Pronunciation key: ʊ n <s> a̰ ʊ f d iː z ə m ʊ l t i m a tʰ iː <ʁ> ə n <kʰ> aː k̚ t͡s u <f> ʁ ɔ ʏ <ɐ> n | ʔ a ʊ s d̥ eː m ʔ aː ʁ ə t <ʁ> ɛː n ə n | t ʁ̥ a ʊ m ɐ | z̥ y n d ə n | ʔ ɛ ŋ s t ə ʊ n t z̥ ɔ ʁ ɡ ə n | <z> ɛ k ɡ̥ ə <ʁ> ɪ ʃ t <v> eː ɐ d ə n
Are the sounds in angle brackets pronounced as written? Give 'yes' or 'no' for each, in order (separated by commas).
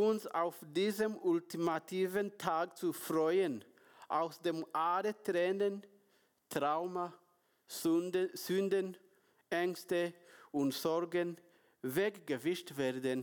yes, no, no, yes, no, yes, no, no, yes